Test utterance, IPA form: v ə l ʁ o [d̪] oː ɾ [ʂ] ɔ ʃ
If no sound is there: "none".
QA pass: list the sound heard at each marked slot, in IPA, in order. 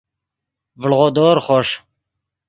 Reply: d̪, χ

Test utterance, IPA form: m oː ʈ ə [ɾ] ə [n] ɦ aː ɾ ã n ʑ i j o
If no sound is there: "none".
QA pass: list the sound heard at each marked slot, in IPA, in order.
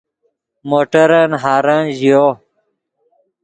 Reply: ɾ, n

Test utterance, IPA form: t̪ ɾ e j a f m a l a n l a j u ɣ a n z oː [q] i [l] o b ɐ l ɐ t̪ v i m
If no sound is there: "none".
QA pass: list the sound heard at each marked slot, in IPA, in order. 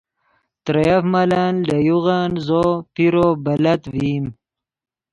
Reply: p, ɾ

